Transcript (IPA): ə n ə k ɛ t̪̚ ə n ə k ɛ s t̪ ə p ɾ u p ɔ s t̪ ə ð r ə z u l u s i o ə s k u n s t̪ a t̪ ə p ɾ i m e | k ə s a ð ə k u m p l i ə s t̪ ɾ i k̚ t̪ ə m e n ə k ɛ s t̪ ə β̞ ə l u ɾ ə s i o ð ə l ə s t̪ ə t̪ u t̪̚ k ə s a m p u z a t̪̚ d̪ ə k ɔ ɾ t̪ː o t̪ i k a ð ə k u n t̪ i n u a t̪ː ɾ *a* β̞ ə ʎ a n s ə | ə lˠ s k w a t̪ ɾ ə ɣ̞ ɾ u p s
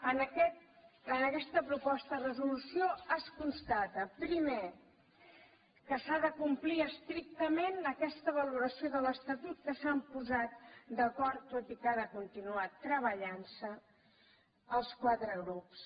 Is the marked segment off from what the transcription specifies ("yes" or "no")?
yes